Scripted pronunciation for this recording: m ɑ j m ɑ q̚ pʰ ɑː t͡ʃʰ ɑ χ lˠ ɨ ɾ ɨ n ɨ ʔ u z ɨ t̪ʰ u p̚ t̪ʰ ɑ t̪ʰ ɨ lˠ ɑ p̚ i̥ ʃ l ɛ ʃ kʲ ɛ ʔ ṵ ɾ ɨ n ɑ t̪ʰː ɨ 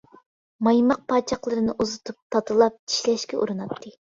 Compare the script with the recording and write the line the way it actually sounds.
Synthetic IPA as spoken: m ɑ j m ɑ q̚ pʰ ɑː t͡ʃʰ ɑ χ lˠ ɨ ɾ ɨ n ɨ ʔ u z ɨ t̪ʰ u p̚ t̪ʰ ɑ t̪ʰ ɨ lˠ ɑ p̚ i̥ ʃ l ɛ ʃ kʲ ɛ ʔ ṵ ɾ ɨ n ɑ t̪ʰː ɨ